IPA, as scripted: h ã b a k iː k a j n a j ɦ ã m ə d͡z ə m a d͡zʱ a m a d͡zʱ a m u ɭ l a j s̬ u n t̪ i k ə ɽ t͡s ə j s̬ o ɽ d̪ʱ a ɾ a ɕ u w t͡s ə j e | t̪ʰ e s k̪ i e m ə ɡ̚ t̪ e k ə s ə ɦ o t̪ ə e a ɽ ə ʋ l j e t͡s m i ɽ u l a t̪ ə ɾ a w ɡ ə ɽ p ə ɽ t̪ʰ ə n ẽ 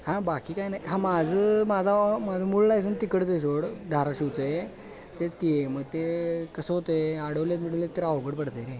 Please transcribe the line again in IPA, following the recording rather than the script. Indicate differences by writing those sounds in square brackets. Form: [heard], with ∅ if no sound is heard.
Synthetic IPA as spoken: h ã b a k iː k a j n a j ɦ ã m [a] d͡z ə m a d͡zʱ a m a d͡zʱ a m u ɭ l a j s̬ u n t̪ i k ə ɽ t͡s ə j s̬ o ɽ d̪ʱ a ɾ a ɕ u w t͡s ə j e | [t̪] e [t͡s] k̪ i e m ə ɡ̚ t̪ e k ə s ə ɦ o t̪ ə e a ɽ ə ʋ l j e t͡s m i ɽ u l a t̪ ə ɾ a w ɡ ə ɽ p ə ɽ [t̪] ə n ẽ